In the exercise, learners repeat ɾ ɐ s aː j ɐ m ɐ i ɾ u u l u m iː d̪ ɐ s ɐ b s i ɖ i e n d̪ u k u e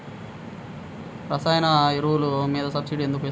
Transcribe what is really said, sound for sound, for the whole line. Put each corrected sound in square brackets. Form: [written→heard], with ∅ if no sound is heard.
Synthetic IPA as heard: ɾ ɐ s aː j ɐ [m→n] ɐ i ɾ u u l u m iː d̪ ɐ s ɐ b s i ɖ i e n d̪ u k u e

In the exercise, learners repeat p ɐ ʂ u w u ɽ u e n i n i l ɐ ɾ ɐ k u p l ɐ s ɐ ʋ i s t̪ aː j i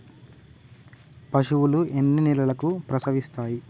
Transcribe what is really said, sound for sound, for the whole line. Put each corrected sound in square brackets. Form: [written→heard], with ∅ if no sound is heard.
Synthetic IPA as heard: p ɐ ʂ u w u [ɽ→l] u e [n→nː] i n i l ɐ [ɾ→l] ɐ k u p [l→ɾ] ɐ s ɐ ʋ i s t̪ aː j i

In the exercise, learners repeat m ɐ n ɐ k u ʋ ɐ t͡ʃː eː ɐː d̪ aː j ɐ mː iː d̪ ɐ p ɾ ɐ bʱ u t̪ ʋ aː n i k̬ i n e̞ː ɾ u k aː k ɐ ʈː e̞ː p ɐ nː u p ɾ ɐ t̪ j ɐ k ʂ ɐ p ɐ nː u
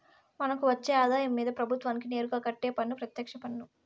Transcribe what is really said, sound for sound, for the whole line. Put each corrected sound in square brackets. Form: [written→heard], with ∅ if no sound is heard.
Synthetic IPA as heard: m ɐ n ɐ k u ʋ ɐ t͡ʃː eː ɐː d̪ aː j ɐ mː iː d̪ ɐ p ɾ ɐ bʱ u t̪ ʋ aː n i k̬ i n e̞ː ɾ u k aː k ɐ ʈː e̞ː p ɐ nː u p ɾ ɐ t̪ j ɐ k ʂ ɐ p ɐ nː u

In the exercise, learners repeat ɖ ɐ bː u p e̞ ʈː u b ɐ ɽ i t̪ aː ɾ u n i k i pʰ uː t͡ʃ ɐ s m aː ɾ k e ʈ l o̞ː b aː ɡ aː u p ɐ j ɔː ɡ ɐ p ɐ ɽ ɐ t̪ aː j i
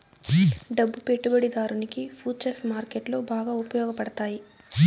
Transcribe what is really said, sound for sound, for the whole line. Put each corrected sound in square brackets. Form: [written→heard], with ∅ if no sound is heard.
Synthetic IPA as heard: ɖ ɐ bː u p e̞ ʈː u b ɐ ɽ i [t̪→d̪] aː ɾ u n i k i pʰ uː t͡ʃ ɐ s m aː ɾ k e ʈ l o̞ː b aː ɡ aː u p ɐ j ɔː ɡ ɐ p ɐ ɽ ɐ t̪ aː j i

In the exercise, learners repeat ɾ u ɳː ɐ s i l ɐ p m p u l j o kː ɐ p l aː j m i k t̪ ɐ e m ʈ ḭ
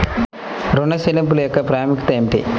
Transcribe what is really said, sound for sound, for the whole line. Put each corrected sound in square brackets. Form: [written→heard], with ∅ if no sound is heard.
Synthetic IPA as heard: ɾ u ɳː ɐ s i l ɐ [p→∅] m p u l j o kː ɐ p [l→ɾ] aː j m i k t̪ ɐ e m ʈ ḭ

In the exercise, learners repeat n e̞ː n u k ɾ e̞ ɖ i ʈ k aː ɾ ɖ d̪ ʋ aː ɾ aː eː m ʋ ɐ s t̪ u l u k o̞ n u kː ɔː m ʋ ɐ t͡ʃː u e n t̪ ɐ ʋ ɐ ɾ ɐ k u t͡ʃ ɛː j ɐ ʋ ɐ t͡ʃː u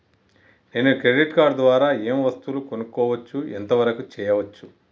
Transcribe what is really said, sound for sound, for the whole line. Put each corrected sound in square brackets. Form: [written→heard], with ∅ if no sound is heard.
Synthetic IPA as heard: n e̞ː n u k ɾ e̞ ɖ i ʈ k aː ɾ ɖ d̪ ʋ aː ɾ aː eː m ʋ ɐ s t̪ u l u k o̞ n u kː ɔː [m→∅] ʋ ɐ t͡ʃː u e n t̪ ɐ ʋ ɐ ɾ ɐ k u t͡ʃ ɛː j ɐ ʋ ɐ t͡ʃː u

